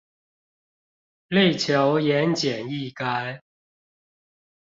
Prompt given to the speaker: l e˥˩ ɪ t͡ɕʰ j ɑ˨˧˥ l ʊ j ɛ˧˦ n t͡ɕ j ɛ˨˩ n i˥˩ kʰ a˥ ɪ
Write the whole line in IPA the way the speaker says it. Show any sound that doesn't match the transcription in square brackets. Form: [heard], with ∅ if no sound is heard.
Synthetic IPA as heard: l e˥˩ ɪ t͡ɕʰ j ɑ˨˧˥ [∅] ʊ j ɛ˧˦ n t͡ɕ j ɛ˨˩ n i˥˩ [k] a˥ ɪ